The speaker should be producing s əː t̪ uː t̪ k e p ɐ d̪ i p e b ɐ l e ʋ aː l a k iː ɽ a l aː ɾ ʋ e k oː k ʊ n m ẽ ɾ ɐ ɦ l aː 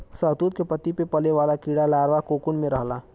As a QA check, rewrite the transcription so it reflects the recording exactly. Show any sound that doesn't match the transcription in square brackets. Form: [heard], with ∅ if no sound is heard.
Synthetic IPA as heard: s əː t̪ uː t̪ k e p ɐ [t̪] i p e [p] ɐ l e ʋ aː l a k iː ɽ a l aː ɾ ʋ [a] k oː k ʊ n m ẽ ɾ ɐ ɦ l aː